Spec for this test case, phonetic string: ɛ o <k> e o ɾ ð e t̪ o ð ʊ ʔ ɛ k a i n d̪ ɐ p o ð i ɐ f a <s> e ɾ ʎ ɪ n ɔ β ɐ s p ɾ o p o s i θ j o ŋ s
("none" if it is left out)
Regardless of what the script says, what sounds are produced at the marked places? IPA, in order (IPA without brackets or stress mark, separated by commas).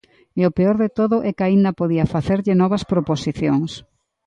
p, θ